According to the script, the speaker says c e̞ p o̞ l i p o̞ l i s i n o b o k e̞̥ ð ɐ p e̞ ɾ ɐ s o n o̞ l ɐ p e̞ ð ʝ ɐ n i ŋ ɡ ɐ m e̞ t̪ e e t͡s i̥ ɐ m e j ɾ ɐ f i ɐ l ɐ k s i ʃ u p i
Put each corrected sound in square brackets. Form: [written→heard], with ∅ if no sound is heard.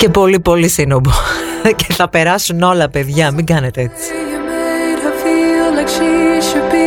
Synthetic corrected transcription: c e̞ p o̞ l i p o̞ l i s i n o b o [k→c] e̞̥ [ð→θ] ɐ p e̞ ɾ ɐ s [o→u] n o̞ l ɐ p e̞ ð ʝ ɐ [n→m] i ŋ ɡ ɐ [m→n] e̞ t̪ e e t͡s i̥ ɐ m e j ɾ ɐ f i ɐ l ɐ k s i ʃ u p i